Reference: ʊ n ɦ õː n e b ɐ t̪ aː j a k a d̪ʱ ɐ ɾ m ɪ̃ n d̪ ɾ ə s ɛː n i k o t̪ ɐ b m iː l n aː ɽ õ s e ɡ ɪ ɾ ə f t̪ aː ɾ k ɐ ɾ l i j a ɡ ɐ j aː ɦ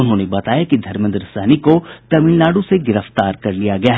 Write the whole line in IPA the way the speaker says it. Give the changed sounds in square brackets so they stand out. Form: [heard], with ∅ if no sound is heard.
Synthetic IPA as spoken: ʊ n ɦ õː n e b ɐ t̪ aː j a k [i] d̪ʱ ɐ ɾ m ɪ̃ n d̪ ɾ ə s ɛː n i k o t̪ ɐ [∅] m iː l n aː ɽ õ s e ɡ ɪ ɾ ə f t̪ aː ɾ k ɐ ɾ l i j a ɡ ɐ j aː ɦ